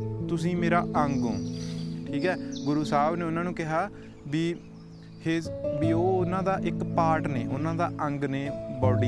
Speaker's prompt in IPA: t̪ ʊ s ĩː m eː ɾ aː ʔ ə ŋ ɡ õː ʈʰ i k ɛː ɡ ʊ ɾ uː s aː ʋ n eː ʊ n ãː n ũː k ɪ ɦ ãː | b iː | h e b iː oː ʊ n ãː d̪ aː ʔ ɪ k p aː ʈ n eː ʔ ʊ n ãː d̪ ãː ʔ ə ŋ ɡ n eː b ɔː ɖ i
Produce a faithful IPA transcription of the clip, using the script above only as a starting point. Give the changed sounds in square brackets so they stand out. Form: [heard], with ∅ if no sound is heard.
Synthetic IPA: t̪ ʊ s ĩː m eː ɾ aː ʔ ə ŋ ɡ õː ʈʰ [iː] k ɛː ɡ ʊ ɾ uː s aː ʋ n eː ʊ n ãː n ũː k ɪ ɦ [aː] | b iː | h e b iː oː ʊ n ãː d̪ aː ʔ ɪ k p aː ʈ n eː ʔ ʊ n ãː d̪ [aː] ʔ ə ŋ ɡ n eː b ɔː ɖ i